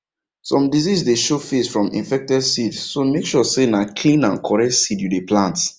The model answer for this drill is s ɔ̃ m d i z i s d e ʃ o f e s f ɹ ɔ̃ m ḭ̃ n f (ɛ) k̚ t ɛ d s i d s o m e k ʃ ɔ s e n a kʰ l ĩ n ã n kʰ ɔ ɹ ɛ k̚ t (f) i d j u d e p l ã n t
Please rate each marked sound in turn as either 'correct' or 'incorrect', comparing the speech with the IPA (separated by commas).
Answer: correct, incorrect